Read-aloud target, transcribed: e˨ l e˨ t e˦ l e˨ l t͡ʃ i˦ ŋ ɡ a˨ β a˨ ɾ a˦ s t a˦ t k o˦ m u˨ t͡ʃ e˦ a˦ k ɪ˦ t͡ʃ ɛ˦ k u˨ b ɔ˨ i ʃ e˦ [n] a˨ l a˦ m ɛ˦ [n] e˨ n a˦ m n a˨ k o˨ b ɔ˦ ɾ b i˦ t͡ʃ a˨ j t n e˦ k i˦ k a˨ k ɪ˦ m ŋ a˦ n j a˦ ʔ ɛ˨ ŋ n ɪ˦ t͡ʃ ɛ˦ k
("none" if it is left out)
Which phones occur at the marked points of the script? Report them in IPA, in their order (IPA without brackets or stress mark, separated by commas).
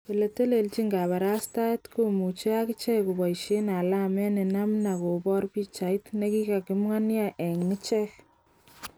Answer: n, n